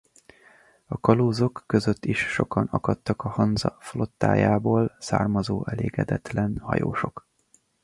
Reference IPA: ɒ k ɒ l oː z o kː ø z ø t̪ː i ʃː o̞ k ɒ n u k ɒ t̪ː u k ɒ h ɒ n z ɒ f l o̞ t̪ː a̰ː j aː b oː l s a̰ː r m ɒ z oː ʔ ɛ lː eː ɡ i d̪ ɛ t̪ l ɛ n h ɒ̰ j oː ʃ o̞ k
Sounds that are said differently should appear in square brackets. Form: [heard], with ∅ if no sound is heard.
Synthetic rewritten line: ɒ k ɒ l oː z o kː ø z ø t̪ː i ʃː o̞ k ɒ n [ɒ] k ɒ t̪ː [ɒ] k ɒ h ɒ n z ɒ f l o̞ t̪ː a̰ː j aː b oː l s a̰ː r m ɒ z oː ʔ ɛ [l] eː ɡ [ɛ] d̪ ɛ t̪ l ɛ n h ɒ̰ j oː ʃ o̞ k